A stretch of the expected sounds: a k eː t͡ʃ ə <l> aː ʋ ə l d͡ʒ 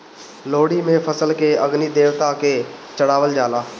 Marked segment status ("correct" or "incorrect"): incorrect